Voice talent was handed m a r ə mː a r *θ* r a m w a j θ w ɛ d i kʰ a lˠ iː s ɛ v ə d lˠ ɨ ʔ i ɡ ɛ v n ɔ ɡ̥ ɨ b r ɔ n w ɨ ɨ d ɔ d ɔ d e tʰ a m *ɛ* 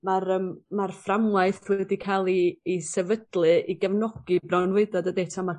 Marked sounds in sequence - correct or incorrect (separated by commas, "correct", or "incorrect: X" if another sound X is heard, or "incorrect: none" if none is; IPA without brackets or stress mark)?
incorrect: f, incorrect: a